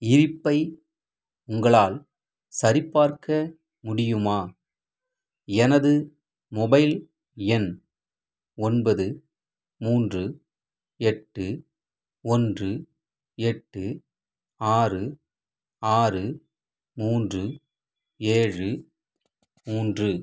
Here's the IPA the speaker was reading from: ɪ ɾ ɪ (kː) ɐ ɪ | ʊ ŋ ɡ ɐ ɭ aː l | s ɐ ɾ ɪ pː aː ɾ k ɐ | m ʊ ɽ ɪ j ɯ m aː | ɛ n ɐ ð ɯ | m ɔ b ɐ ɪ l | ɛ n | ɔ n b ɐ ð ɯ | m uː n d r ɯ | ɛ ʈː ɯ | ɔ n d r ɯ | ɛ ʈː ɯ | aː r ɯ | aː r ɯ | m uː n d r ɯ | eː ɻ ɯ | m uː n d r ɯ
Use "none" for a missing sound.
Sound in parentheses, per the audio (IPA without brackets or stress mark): pː